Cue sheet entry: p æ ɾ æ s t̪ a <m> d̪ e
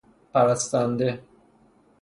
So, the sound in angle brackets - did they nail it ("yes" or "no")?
no